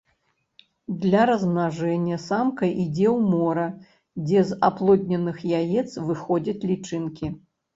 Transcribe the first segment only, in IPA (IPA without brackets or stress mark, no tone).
d̪